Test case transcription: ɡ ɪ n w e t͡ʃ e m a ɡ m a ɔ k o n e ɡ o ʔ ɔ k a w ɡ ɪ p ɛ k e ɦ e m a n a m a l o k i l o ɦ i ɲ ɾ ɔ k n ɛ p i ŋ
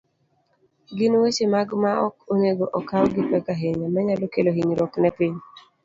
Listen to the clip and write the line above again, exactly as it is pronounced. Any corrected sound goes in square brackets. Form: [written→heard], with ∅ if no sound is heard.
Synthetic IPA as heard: ɡ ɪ n w e t͡ʃ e m a ɡ m a ɔ k o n e ɡ o ʔ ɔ k a w ɡ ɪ p ɛ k [e→a] ɦ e [m→ɲ] a [n→m] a [m→ɲ] a l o k [i→e] l o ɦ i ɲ ɾ ɔ k n ɛ p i [ŋ→ɲ]